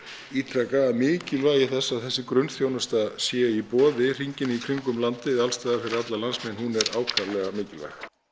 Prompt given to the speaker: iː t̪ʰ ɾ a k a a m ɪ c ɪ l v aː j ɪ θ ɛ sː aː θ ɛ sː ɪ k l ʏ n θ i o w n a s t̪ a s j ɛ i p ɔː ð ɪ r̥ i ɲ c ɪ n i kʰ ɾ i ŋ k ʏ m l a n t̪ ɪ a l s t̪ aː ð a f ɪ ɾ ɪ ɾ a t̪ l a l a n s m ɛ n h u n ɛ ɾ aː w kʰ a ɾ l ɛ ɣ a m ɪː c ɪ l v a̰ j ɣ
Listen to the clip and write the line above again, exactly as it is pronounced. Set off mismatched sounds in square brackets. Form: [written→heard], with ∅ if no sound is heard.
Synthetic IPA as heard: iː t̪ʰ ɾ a k a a m [ɪ→ɪː] c ɪ l v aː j ɪ θ ɛ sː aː θ ɛ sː ɪ k [l→ɾ] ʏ n θ [i→j] o w n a s t̪ a s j ɛ i p ɔː ð ɪ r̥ i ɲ c ɪ n i kʰ ɾ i ŋ k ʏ m l a n t̪ ɪ a l s t̪ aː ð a f ɪ ɾ ɪ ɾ a t̪ l a l a n s m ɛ n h u n ɛ ɾ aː w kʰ a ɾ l ɛ ɣ a m ɪː c ɪ l v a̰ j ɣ